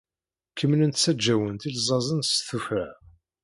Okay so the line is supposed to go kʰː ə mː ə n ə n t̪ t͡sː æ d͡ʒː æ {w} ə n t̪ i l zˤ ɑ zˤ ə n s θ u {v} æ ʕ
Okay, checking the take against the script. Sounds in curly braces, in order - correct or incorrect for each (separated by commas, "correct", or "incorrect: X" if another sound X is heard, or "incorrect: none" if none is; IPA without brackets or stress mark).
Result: correct, incorrect: f